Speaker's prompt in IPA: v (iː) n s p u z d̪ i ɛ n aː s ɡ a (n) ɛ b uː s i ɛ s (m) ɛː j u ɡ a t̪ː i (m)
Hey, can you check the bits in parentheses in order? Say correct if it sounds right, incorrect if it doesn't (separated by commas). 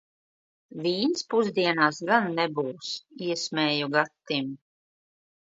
correct, incorrect, correct, correct